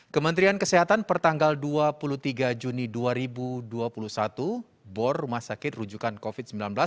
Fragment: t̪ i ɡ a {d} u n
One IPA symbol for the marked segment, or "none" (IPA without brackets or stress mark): d͡ʒ